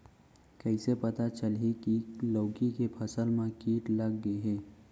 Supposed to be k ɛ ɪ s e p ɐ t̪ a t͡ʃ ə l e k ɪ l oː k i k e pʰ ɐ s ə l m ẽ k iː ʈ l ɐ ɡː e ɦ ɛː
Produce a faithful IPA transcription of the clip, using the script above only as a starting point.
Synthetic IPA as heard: k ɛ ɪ s e p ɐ t̪ a t͡ʃ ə l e k i l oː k i k e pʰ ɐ s ə l m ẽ k iː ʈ l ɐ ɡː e ɦ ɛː